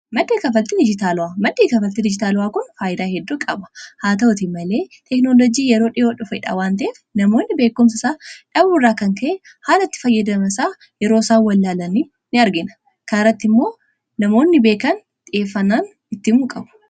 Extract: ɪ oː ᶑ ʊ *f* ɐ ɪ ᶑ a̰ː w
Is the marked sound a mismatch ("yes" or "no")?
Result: no